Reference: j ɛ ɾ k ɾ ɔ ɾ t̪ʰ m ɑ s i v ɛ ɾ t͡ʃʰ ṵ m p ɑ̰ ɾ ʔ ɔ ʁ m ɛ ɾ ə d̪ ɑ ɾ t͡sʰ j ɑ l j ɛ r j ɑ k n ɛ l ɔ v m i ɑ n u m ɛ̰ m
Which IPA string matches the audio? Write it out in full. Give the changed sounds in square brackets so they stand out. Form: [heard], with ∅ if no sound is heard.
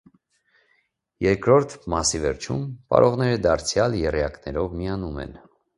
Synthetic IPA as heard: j ɛ ɾ k ɾ ɔ ɾ t̪ʰ m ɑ s i v ɛ ɾ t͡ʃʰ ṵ m p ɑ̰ ɾ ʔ ɔ ʁ [n] ɛ ɾ ə d̪ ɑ ɾ t͡sʰ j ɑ l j ɛ r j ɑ k n ɛ [ɾ] ɔ v m i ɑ n u m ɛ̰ [n]